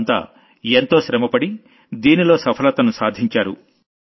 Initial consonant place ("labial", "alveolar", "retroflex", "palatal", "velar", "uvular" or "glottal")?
alveolar